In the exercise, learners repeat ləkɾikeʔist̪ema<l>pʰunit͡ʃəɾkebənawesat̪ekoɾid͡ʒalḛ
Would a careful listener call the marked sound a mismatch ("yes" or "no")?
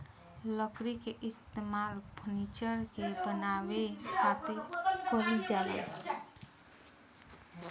no